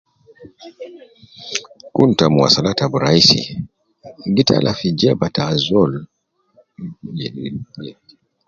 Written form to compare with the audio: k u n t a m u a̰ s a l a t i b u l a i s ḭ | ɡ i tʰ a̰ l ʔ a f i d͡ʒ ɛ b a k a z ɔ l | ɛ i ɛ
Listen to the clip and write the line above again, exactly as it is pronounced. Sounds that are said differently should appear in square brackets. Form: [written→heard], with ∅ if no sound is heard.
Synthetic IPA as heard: k u n t a m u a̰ s a l a t [i→a] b u [l→ɾ] a i s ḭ | ɡ i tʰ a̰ l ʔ a f i d͡ʒ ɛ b a [k→t] a z ɔ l | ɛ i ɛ